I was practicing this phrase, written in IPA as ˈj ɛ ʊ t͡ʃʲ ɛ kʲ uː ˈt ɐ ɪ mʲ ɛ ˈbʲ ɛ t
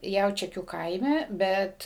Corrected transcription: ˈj ɛ ʊ t͡ʃʲ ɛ kʲ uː ˈk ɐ ɪ mʲ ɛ ˈbʲ ɛ t